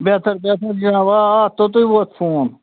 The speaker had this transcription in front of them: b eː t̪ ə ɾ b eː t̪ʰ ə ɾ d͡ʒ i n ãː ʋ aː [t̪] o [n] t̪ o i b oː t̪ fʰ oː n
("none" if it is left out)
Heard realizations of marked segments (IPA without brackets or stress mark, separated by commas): t̪, none